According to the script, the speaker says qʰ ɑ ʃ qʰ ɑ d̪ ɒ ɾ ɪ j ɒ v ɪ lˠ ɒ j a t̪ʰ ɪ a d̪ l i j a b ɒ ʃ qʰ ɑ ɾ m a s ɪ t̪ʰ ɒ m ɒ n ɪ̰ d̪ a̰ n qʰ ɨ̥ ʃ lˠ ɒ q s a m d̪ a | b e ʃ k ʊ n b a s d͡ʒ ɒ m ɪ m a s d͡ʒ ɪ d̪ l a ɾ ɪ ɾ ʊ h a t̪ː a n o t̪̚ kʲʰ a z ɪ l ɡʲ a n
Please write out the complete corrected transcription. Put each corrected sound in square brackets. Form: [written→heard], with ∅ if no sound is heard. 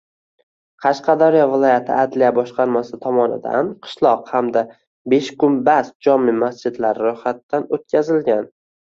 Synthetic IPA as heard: qʰ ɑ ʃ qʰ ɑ d̪ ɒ ɾ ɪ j ɒ v ɪ lˠ ɒ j a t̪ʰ ɪ a d̪ l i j a b ɒ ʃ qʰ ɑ ɾ m a s ɪ t̪ʰ ɒ m ɒ n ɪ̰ d̪ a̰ n qʰ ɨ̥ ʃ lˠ ɒ q [s→h] a m d̪ a | b e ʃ k ʊ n b a s d͡ʒ ɒ m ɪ m a s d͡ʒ ɪ d̪ l a ɾ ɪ ɾ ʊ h a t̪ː a n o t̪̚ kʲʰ a z ɪ l ɡʲ a n

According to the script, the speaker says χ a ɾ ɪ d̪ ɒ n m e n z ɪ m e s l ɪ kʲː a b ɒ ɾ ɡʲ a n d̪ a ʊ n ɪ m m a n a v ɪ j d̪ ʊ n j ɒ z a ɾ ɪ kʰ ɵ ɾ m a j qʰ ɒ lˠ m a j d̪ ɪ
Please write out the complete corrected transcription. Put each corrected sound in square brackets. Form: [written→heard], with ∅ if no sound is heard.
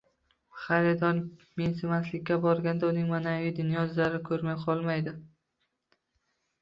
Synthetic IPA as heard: χ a ɾ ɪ d̪ ɒ n m e n [z→s] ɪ m [e→a] s l ɪ kʲː a b ɒ ɾ ɡʲ a n d̪ a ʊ n ɪ [m→ŋ] m a n a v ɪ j d̪ ʊ n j ɒ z a ɾ ɪ kʰ ɵ ɾ m a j qʰ ɒ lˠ m a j d̪ ɪ

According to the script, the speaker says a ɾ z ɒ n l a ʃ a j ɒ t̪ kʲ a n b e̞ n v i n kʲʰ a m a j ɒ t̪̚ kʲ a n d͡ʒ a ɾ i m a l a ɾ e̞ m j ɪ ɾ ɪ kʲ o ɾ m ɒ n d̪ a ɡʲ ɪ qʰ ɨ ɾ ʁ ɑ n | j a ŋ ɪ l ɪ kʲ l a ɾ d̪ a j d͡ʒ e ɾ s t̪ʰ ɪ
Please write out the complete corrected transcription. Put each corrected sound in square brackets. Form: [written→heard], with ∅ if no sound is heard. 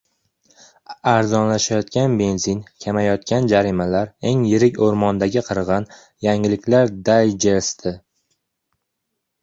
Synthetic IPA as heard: a ɾ z ɒ n l a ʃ a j ɒ t̪ kʲ a n b e̞ n [v→z] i n kʲʰ a m a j ɒ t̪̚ kʲ a n d͡ʒ a ɾ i m a l a ɾ e̞ [m→ŋ] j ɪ ɾ ɪ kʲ o ɾ m ɒ n d̪ a ɡʲ ɪ qʰ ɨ ɾ ʁ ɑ n | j a ŋ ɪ l ɪ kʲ l a ɾ d̪ a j d͡ʒ e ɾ s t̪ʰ ɪ

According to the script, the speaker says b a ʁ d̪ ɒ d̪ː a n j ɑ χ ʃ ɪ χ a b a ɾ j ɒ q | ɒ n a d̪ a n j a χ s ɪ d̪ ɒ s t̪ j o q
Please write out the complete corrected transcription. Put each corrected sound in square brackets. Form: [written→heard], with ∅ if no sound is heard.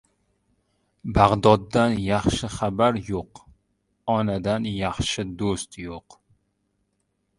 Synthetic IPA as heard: b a ʁ d̪ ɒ d̪ː a n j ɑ χ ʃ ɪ χ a b a ɾ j [ɒ→o] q | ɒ n a d̪ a n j [a→ɑ] χ [s→ʃ] ɪ d̪ [ɒ→o] s t̪ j o q

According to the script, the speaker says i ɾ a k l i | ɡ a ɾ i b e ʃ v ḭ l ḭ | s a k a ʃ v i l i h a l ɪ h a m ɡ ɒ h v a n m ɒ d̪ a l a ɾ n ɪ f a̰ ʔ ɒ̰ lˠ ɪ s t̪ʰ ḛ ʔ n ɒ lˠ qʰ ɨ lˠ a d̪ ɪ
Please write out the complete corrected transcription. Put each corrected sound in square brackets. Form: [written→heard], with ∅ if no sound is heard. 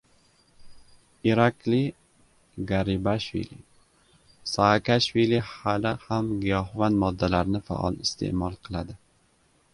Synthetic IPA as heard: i ɾ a k l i | ɡ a ɾ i b [e→a] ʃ v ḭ l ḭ | s a k a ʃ v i l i h a l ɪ h a m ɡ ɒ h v a n m ɒ [d̪→d̪ː] a l a ɾ n ɪ f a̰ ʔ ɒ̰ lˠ ɪ s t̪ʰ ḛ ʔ [n→m] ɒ lˠ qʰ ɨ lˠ a d̪ ɪ

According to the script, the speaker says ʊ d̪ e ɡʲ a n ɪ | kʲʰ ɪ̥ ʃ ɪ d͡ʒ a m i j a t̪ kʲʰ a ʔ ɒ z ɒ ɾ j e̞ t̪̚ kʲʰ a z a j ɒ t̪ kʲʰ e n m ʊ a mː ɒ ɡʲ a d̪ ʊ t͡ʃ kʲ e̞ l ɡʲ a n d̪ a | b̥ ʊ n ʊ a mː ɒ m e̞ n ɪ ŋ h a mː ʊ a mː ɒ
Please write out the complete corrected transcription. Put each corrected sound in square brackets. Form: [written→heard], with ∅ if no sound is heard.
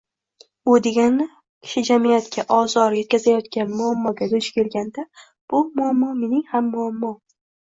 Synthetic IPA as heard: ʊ d̪ e ɡʲ a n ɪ | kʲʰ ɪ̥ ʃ ɪ d͡ʒ a m i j a t̪ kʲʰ a ʔ ɒ z ɒ ɾ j e̞ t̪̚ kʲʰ a z a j ɒ t̪ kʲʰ [e→a] n m ʊ a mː ɒ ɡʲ a d̪ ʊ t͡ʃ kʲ e̞ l ɡʲ a n d̪ a | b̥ ʊ [n→m] ʊ a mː ɒ m e̞ n ɪ ŋ h a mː ʊ a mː ɒ

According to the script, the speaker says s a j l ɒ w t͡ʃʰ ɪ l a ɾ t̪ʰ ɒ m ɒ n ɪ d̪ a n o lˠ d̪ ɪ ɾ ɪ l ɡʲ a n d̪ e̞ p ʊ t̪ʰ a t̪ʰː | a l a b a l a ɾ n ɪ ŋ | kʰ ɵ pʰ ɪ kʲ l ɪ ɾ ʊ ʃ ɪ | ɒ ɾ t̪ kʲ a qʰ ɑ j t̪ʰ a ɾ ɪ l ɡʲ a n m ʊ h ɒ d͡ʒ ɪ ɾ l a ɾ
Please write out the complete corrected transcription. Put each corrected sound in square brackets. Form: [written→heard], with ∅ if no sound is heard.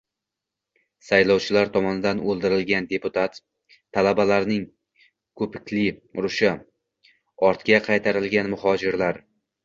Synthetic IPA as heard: s a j l ɒ w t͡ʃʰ ɪ l a ɾ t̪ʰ ɒ m ɒ n ɪ d̪ a n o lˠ d̪ ɪ ɾ ɪ l ɡʲ a n d̪ e̞ p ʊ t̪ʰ a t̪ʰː | a l a b a l a ɾ n ɪ ŋ | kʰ ɵ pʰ ɪ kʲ l ɪ ɾ ʊ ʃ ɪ | ɒ ɾ t̪ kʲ a qʰ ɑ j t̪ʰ a ɾ ɪ l ɡʲ a n m ʊ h ɒ d͡ʒ ɪ ɾ l a ɾ

